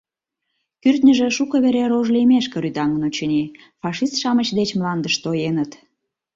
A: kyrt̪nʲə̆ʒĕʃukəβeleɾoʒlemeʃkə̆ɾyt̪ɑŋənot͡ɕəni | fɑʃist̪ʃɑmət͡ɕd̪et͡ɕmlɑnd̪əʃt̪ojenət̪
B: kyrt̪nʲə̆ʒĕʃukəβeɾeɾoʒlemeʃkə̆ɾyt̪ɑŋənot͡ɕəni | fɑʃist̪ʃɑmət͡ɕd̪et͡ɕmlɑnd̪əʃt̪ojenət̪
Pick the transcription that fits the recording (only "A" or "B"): B